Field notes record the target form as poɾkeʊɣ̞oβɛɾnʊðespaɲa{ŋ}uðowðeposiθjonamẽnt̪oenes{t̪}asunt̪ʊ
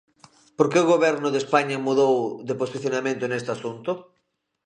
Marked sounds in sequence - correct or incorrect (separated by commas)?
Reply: incorrect, correct